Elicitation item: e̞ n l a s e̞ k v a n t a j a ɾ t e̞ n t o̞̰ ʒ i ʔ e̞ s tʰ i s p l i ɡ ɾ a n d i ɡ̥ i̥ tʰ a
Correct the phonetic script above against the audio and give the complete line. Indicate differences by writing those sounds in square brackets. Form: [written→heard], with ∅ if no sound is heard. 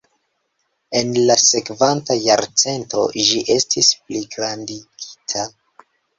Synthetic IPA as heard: e̞ n l a s e̞ k v a n t a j a ɾ [t→t͡s] e̞ n t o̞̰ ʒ i ʔ e̞ s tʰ i s p l i ɡ ɾ a n d i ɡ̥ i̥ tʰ a